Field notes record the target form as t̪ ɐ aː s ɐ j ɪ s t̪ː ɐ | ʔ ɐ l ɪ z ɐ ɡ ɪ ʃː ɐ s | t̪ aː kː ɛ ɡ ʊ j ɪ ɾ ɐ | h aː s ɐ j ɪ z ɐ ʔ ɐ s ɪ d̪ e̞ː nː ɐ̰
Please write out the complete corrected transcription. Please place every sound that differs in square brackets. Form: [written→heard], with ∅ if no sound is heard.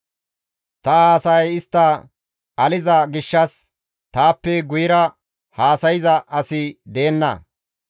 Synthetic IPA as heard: t̪ ɐ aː s ɐ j ɪ s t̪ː ɐ | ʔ ɐ l ɪ z ɐ ɡ ɪ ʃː ɐ s | t̪ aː [kː→pː] ɛ ɡ ʊ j ɪ ɾ ɐ | h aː s ɐ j ɪ z ɐ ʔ ɐ s ɪ d̪ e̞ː nː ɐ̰